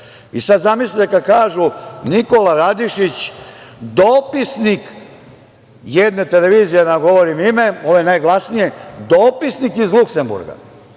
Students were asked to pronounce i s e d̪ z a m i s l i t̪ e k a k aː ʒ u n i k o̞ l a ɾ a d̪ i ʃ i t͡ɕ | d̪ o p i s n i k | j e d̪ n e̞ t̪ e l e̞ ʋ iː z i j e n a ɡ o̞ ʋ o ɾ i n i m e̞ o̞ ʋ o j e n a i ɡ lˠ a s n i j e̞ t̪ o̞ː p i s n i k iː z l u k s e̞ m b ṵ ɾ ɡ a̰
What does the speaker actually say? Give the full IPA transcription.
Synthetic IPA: i s a d̪ z a m i s l i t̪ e k a k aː ʒ u n i k o̞ l a ɾ a d̪ i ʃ i t͡ɕ | d̪ o p i s n i k | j e d̪ n e̞ t̪ e l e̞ ʋ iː z i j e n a ɡ o̞ ʋ o ɾ i m i m e̞ o̞ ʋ o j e n a j ɡ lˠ a s n i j e̞ d̪ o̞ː p i s n i k i z l u k s e̞ m b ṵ ɾ ɡ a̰